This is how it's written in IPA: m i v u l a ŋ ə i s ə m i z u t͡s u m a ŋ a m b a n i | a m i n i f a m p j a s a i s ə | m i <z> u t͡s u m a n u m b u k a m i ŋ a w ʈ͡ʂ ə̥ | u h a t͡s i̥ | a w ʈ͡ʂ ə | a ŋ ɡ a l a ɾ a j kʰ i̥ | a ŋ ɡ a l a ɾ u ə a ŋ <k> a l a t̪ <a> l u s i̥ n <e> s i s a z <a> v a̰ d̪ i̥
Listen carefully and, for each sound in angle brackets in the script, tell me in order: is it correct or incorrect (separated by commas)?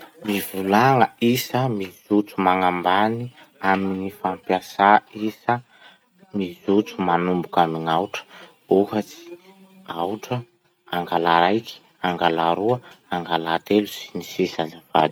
correct, incorrect, incorrect, incorrect, correct